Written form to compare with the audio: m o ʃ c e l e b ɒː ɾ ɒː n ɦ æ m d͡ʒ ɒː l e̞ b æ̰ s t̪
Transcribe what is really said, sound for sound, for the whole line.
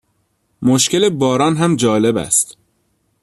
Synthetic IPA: m o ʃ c e l e b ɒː ɾ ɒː n ɦ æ m d͡ʒ ɒː l e̞ b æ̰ s t̪